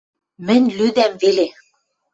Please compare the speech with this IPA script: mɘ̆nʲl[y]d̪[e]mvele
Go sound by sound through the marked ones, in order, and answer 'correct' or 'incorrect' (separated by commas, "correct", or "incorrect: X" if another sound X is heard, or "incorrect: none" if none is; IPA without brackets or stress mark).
correct, incorrect: æ